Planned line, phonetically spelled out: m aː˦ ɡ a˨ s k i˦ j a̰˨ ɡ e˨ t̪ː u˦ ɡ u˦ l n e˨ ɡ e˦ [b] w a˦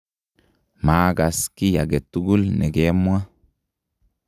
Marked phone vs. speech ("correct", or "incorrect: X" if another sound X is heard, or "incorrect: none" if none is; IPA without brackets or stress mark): incorrect: m